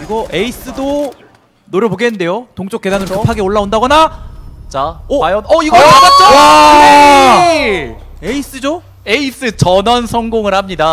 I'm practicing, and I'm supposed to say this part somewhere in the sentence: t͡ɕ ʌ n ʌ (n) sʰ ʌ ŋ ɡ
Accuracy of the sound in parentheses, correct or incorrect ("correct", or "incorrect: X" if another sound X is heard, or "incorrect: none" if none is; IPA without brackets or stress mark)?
correct